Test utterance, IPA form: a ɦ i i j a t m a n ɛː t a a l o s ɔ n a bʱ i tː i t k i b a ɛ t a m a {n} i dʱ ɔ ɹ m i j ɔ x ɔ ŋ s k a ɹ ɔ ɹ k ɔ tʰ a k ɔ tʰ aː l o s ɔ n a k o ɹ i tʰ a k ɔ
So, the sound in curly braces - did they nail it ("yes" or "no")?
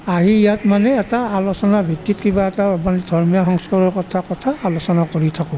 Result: yes